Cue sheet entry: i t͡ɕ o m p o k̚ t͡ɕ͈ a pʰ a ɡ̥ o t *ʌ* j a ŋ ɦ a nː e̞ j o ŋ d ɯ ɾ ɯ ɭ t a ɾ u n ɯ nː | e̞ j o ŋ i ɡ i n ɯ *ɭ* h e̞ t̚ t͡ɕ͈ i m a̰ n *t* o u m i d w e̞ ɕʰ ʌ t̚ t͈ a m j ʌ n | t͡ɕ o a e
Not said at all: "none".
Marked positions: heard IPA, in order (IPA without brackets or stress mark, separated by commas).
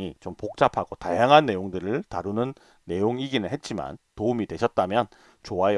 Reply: a, ɭ, t